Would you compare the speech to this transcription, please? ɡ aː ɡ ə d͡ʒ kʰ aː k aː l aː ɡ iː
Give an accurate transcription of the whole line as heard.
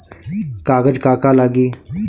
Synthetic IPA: k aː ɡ ə d͡ʒ k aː k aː l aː ɡ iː

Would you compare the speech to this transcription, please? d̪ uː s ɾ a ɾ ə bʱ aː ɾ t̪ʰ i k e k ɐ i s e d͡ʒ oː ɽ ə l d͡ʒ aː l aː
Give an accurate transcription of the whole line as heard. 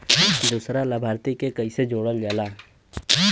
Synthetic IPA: d̪ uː s ɾ a l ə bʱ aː ɾ t̪ i k e k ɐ i s e d͡ʒ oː ɽ ə l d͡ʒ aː l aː

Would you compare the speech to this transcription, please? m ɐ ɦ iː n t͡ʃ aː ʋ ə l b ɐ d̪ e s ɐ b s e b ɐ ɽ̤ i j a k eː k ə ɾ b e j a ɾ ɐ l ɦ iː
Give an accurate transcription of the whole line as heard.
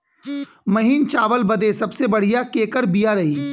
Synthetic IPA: m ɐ ɦ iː n t͡ʃ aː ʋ ə l b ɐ d̪ e s ɐ b s e b ɐ ɽ̤ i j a k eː k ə ɾ b i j a ɾ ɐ ɦ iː

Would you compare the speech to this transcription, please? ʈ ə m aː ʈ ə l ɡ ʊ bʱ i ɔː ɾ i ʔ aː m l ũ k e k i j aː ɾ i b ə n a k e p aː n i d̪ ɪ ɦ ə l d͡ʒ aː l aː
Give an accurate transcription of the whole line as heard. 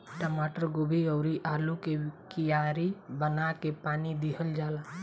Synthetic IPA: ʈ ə m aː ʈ ə ɾ ɡ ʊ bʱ i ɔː ɾ i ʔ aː l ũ k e k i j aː ɾ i b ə n a k e p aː n i d̪ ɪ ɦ ə l d͡ʒ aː l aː

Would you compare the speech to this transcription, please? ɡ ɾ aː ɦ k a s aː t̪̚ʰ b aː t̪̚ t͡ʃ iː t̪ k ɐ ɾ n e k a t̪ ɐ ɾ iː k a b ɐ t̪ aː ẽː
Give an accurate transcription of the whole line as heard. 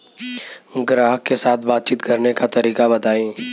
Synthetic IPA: ɡ ɾ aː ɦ k e s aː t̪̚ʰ b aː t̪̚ t͡ʃ iː t̪ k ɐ ɾ n e k a t̪ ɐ ɾ iː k a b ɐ t̪ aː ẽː

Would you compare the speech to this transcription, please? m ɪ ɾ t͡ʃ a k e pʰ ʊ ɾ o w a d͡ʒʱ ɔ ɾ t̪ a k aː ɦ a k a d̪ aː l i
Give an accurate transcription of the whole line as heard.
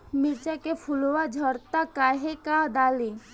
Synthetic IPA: m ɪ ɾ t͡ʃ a k e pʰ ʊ l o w a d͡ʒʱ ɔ ɾ t̪ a k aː ɦ e k a d̪ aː l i

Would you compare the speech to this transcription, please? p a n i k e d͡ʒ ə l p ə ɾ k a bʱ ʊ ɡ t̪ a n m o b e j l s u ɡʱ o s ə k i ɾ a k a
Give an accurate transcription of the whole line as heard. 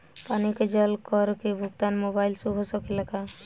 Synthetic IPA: p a n i k e d͡ʒ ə l k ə ɾ k e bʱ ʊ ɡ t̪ a n m o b a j l s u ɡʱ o s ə k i l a k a

